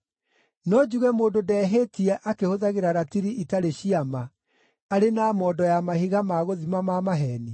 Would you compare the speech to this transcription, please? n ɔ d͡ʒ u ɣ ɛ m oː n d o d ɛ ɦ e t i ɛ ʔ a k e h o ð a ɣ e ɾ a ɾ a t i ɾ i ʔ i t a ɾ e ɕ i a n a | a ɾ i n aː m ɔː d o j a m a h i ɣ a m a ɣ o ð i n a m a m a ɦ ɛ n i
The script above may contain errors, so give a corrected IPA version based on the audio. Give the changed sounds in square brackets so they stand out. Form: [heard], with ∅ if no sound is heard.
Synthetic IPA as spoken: n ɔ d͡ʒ u ɣ ɛ m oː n d o d ɛ ɦ e t i ɛ ʔ a k e h o ð a ɣ e ɾ a ɾ a t i ɾ i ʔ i t a ɾ e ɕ i a [m] a | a ɾ [e] n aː m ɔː d [ɔ] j a m a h i ɣ a m a ɣ o ð i [m] a m a m a ɦ ɛ n i